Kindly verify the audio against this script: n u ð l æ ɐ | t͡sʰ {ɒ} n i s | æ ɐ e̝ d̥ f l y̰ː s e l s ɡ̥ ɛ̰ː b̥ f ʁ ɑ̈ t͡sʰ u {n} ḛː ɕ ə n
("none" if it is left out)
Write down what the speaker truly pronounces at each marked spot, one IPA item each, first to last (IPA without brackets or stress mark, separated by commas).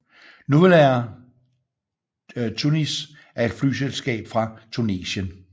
u, n